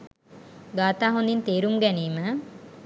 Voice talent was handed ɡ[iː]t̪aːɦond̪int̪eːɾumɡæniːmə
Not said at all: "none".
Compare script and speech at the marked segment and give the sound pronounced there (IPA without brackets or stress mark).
aː